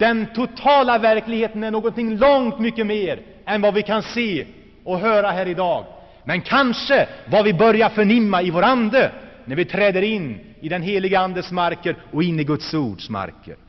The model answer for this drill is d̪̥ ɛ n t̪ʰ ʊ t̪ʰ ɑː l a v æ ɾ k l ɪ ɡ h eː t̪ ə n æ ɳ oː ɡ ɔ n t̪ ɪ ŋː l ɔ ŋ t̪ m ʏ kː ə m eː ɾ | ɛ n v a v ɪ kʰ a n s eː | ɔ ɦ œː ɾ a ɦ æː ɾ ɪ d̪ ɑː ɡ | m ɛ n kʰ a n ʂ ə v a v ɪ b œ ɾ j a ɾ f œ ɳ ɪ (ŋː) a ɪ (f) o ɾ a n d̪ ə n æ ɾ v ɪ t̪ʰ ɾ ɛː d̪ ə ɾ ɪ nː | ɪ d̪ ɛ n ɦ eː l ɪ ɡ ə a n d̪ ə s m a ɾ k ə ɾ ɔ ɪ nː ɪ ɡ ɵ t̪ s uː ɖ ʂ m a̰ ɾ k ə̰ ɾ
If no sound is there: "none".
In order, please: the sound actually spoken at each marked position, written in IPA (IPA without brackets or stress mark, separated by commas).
mː, v